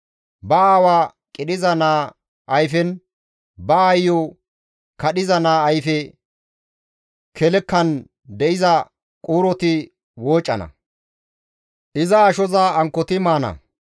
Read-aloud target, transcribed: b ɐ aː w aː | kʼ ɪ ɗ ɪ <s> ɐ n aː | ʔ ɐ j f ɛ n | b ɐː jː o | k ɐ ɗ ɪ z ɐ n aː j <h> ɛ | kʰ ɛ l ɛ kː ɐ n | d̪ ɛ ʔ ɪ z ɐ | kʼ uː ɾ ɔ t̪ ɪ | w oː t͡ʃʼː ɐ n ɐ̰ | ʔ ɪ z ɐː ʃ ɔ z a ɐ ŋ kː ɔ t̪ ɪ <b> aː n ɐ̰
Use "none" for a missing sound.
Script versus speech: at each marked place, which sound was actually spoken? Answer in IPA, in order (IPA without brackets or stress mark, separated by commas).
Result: z, f, m